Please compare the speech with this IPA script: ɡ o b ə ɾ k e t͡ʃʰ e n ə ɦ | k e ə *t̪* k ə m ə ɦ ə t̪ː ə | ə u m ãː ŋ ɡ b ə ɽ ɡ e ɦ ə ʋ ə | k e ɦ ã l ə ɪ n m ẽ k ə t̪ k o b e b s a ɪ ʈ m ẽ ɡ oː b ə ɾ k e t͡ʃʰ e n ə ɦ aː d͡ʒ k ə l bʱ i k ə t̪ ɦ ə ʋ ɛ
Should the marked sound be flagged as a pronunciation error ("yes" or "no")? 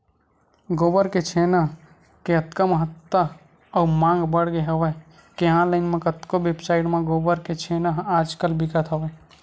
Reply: no